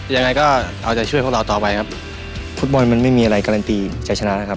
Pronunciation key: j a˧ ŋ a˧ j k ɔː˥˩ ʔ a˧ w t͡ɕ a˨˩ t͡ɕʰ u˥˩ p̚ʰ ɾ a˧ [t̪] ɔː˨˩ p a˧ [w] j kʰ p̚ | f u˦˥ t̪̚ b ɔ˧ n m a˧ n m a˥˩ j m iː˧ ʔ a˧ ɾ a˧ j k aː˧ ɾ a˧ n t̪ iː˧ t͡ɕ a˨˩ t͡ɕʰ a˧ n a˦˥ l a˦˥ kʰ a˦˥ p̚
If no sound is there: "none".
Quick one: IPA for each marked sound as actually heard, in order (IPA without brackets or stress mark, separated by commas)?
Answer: t̪, none